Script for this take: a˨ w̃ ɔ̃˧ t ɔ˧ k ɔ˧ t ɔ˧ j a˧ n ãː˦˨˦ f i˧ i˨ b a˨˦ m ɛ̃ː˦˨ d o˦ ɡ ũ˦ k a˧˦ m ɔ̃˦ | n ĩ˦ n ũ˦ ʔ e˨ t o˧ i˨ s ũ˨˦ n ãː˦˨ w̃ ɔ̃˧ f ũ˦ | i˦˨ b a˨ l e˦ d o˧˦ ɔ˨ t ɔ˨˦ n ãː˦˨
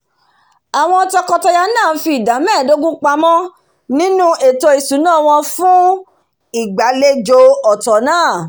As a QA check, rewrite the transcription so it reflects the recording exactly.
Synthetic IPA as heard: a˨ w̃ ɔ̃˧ t ɔ˧ k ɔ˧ t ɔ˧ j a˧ n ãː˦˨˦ f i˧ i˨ d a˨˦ m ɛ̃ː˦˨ d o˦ ɡ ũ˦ k͡p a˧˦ m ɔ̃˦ | n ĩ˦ n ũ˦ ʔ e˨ t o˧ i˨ s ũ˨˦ n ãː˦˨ w̃ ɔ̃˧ f ũ˦ | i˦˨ ɡ͡b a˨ l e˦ d͡ʒ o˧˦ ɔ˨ t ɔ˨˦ n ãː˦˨